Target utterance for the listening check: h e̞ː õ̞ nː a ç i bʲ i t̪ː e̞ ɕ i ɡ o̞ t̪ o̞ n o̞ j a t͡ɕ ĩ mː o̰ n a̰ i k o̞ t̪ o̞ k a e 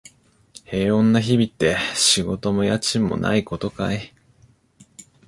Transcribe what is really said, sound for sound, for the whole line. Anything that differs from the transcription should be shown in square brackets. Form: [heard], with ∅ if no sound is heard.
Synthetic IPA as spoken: h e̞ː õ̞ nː a ç i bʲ i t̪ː e̞ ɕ i ɡ o̞ t̪ o̞ [m] o̞ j a t͡ɕ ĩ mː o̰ n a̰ i k o̞ t̪ o̞ k a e